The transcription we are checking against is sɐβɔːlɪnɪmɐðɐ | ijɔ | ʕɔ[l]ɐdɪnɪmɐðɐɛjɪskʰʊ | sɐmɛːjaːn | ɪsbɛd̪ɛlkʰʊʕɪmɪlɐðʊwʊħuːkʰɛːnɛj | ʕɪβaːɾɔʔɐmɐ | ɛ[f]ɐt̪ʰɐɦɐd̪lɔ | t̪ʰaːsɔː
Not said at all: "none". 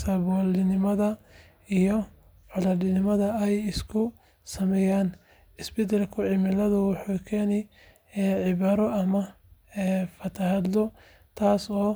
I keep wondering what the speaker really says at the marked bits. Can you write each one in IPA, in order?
l, f

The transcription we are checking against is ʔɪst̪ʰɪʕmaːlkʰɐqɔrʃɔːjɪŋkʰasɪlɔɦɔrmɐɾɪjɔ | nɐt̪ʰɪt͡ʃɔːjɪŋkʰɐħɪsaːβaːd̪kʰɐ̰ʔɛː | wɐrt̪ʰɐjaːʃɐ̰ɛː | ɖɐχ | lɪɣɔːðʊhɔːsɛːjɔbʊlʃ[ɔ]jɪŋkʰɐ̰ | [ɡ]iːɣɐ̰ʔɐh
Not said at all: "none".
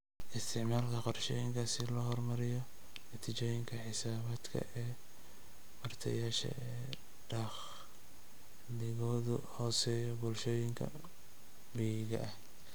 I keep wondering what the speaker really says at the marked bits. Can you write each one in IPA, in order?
ɔː, b

